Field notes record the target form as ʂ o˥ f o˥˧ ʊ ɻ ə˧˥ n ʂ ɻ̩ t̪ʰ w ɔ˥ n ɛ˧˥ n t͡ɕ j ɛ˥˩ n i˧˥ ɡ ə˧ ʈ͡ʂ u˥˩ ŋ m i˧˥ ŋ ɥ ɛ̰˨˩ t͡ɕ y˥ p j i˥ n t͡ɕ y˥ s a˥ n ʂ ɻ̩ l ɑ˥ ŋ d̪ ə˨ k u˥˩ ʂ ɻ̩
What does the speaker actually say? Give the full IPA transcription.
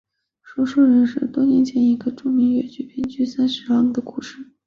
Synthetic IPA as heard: ʂ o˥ ʂ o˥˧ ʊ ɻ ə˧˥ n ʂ ɻ̩ t̪ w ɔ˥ n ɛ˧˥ n t͡ɕ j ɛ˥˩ n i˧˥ ɡ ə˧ ʈ͡ʂ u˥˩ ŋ m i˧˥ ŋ ɥ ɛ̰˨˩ t͡ɕ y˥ p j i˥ n t͡ɕ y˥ s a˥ n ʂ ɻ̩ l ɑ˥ ŋ d̪ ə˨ k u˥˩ ʂ ɻ̩